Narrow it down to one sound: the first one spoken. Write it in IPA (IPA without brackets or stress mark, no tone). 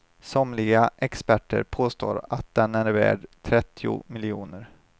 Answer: s